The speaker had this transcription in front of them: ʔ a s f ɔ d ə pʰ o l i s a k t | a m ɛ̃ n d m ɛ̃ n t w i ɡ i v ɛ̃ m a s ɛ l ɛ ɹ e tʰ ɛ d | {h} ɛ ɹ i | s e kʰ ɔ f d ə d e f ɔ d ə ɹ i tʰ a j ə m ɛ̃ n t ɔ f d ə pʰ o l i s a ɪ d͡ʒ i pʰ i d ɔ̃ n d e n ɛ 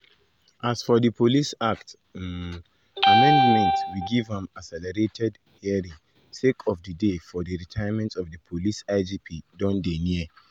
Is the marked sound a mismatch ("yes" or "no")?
no